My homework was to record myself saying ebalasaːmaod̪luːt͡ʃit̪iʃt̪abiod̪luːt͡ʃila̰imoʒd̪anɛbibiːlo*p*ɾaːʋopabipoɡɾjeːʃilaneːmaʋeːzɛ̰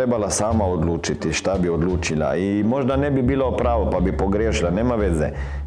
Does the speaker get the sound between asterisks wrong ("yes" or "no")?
no